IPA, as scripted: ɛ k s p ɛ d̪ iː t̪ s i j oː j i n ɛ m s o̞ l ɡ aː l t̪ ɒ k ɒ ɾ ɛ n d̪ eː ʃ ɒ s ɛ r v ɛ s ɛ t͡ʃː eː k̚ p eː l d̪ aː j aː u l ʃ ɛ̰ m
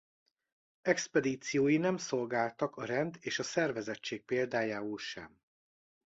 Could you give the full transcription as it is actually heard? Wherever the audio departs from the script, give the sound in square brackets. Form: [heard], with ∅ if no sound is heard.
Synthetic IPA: ɛ k s p ɛ d̪ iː t̪ s i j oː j i n ɛ m s o̞ l ɡ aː l t̪ ɒ k ɒ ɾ ɛ n d̪ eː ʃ ɒ s ɛ r v ɛ [z] ɛ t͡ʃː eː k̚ p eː l d̪ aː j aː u l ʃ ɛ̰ m